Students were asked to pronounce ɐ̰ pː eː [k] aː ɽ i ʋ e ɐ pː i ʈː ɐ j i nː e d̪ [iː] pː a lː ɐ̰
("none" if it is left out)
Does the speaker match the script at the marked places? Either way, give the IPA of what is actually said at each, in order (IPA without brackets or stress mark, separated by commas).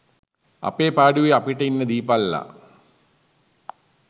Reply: p, iː